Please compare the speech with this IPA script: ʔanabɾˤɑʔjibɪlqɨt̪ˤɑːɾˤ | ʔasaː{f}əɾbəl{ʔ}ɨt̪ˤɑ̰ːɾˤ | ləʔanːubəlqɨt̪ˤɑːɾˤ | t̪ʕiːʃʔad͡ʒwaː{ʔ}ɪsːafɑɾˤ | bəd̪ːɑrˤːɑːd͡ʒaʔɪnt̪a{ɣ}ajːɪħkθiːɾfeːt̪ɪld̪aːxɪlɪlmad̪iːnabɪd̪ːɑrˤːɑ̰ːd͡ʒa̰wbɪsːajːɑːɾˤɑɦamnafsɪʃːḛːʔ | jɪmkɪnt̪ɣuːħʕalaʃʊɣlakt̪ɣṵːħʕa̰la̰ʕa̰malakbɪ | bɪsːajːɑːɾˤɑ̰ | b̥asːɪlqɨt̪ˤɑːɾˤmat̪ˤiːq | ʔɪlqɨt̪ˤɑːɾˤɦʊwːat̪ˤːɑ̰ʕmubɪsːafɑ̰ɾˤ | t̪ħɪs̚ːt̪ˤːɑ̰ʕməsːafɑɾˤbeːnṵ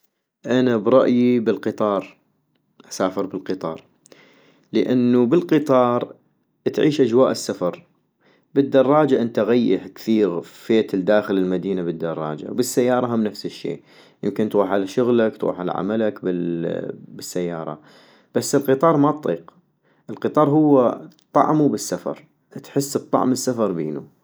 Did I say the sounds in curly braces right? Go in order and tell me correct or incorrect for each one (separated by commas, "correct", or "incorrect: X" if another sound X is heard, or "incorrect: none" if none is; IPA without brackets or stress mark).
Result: correct, incorrect: q, correct, correct